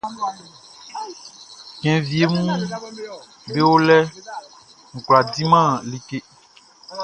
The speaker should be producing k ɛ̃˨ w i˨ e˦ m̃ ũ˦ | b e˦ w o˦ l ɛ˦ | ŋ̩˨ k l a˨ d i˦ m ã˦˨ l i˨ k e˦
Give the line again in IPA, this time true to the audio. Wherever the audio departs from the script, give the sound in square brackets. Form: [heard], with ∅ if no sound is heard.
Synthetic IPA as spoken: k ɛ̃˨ [v] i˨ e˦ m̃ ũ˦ | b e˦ w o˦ l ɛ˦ | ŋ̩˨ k l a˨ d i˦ m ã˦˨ l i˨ k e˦